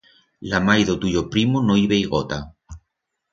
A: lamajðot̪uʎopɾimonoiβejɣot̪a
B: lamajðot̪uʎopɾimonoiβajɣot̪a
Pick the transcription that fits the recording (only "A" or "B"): A